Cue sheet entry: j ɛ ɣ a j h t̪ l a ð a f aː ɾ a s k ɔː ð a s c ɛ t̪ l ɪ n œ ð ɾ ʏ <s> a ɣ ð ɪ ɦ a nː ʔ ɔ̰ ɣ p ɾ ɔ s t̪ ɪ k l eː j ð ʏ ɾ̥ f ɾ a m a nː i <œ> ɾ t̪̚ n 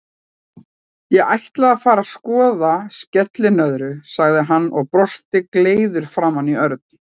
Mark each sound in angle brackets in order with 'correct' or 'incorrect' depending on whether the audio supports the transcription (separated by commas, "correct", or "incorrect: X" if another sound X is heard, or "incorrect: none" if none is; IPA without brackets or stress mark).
correct, correct